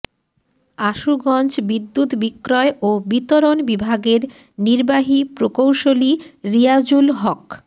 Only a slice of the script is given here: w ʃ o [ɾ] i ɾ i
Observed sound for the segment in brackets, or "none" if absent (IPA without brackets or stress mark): l